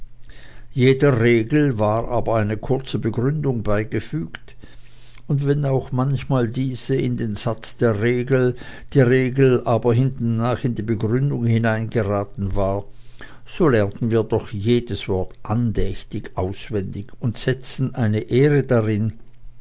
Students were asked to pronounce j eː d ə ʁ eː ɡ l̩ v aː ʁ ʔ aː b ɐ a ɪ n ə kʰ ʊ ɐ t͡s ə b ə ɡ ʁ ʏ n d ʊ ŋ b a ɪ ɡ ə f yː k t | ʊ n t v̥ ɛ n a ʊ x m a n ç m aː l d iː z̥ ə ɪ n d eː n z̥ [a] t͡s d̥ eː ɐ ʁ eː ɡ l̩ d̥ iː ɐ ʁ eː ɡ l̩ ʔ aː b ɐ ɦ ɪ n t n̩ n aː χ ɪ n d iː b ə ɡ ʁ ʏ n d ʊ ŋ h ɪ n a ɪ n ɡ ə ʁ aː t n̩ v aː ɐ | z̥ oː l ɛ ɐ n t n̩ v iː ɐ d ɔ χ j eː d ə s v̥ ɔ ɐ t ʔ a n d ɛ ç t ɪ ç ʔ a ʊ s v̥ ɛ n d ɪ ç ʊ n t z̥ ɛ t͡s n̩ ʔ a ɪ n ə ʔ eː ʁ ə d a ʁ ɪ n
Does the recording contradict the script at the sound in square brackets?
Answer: no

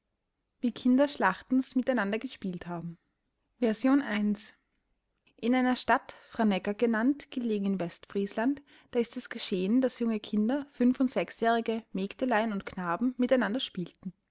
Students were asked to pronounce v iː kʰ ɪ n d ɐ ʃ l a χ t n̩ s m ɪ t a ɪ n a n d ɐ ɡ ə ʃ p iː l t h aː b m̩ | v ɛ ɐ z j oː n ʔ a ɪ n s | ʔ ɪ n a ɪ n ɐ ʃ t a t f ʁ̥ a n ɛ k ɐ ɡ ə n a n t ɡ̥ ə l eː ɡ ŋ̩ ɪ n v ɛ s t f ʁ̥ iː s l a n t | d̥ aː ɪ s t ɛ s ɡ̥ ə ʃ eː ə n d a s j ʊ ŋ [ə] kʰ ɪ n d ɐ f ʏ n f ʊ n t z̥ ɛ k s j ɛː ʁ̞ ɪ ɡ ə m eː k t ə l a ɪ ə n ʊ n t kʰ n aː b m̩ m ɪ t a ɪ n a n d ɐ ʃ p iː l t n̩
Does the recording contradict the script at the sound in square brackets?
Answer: no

